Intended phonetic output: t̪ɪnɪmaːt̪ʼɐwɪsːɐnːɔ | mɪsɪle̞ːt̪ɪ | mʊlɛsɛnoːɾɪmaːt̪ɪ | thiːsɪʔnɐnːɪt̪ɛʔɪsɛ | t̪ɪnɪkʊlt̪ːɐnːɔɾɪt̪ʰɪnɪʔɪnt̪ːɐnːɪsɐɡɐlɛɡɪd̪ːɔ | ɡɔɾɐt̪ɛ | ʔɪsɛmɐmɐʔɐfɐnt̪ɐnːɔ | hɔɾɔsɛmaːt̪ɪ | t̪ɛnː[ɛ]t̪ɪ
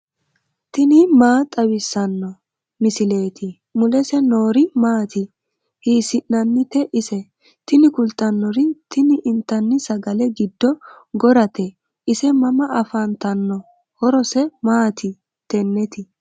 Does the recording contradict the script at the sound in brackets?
no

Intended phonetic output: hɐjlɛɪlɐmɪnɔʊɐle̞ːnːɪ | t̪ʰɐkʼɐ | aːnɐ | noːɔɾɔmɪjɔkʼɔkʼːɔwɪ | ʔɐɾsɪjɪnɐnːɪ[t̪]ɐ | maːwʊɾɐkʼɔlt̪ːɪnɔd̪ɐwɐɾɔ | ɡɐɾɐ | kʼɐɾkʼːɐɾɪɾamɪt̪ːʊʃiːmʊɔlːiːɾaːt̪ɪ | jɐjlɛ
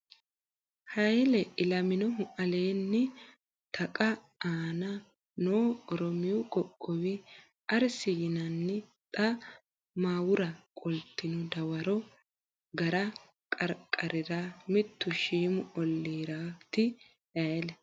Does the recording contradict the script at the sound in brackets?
yes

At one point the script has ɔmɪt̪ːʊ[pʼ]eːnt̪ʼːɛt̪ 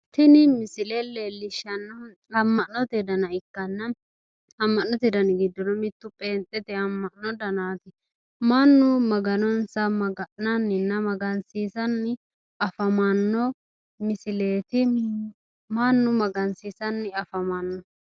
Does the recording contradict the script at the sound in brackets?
no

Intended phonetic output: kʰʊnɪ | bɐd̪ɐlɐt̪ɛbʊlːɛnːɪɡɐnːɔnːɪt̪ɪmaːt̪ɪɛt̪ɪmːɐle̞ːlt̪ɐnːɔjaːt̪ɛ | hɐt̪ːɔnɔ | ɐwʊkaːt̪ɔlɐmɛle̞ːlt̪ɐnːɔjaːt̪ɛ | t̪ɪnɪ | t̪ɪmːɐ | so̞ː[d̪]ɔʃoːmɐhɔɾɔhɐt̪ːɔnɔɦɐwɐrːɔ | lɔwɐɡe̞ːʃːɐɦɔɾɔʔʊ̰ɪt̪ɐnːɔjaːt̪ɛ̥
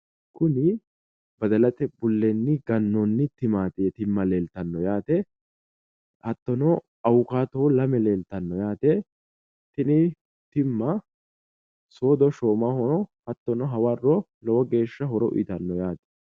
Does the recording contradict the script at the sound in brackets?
no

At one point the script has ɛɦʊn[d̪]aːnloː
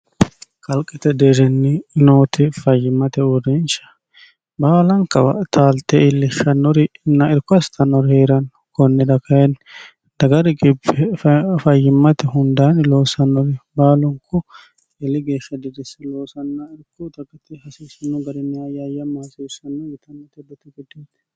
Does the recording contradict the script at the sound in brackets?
no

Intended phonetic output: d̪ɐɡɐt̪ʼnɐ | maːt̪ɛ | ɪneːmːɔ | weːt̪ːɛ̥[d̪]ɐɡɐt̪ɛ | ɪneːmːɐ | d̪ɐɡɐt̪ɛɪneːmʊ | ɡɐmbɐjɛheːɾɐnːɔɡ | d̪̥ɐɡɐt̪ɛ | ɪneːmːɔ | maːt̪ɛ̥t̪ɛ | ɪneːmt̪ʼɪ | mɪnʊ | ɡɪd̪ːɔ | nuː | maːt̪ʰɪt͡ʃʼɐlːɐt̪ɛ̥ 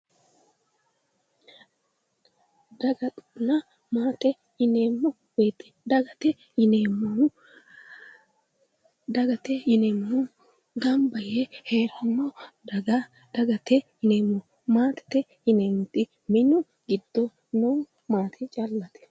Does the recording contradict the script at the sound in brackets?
no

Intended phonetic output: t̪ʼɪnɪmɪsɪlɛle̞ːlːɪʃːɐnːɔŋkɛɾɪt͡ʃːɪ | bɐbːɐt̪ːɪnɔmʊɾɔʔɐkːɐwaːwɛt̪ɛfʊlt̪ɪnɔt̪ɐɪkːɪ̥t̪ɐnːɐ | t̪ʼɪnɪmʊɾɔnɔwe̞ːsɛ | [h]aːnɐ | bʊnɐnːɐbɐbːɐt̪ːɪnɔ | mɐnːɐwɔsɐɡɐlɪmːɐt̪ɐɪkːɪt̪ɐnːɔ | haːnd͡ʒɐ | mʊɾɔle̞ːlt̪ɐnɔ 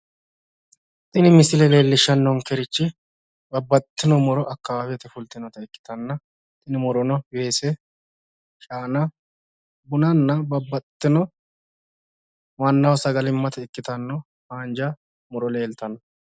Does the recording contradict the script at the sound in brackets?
yes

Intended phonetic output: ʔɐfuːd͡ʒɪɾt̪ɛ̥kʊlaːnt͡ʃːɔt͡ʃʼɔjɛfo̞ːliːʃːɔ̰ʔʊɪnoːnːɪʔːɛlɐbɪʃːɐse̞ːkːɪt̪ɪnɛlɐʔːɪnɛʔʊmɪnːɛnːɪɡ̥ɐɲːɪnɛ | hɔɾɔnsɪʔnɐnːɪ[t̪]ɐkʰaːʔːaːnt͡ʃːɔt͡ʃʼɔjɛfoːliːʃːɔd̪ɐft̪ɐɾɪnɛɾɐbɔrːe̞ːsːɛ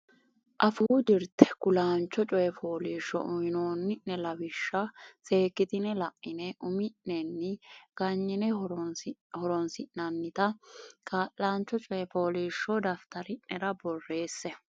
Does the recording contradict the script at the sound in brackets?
no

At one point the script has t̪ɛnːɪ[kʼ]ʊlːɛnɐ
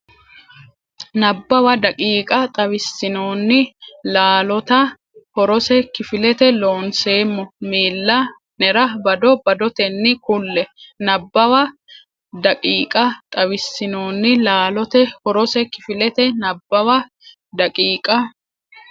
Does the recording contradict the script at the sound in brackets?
yes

